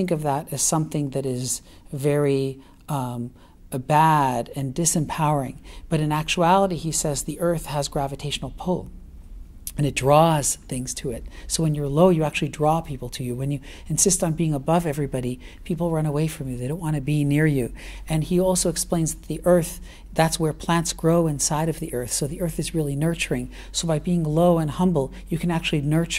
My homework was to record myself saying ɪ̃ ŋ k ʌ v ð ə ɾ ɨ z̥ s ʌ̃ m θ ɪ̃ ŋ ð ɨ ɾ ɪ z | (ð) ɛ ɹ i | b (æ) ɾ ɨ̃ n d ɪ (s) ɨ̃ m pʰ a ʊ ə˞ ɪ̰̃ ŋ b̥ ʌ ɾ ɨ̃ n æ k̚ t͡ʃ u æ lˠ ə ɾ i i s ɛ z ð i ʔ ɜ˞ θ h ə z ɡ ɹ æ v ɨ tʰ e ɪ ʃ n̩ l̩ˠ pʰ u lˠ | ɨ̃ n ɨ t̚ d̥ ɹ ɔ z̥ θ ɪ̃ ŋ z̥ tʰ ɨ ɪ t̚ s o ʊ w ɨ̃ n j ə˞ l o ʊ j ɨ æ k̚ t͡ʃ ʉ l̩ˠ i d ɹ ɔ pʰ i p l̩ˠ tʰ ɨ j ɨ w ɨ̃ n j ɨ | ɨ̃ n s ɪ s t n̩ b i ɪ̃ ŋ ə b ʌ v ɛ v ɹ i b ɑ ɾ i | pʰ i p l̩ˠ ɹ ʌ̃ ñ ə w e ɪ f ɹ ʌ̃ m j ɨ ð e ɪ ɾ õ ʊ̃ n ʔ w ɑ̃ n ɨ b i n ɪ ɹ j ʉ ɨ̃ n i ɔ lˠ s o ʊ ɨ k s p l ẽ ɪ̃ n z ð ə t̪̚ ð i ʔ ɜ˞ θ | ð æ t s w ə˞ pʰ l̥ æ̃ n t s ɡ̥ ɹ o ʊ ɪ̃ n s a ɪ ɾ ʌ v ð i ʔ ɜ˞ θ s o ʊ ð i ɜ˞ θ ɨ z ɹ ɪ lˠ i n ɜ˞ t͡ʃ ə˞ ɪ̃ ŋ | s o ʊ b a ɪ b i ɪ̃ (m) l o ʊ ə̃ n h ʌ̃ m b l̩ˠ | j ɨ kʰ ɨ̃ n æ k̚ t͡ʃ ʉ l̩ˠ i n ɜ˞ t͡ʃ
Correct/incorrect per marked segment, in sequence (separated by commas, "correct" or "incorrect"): incorrect, correct, correct, incorrect